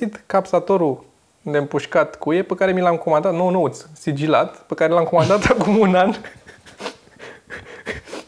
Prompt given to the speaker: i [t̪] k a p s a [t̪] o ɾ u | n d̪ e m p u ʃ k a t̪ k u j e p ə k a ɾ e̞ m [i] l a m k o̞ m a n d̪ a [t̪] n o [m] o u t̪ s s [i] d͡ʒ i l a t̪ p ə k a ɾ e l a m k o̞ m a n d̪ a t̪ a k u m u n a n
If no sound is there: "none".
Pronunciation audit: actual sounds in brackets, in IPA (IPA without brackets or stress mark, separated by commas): t̪, t̪, i, t̪, n, i